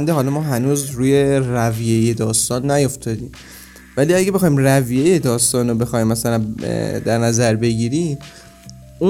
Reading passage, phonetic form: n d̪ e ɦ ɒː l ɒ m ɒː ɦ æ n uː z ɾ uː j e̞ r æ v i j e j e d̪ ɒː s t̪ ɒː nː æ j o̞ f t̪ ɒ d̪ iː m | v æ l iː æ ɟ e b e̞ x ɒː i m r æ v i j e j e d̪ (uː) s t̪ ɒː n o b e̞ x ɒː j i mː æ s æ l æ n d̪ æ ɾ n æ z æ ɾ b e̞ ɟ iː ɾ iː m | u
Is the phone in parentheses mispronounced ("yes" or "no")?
yes